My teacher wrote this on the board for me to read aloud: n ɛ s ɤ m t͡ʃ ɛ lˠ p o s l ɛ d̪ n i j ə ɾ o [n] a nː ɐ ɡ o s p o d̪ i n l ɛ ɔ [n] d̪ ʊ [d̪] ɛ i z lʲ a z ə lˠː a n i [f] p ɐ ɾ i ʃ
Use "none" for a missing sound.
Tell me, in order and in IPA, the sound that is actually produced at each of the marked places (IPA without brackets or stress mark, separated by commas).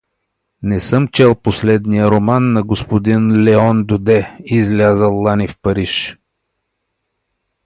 m, n, d̪, f